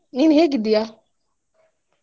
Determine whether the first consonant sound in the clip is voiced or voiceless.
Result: voiced